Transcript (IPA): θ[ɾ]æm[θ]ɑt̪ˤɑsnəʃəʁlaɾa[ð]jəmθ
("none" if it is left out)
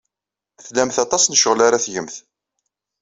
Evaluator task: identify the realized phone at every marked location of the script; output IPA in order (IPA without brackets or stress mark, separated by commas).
l, θ, θ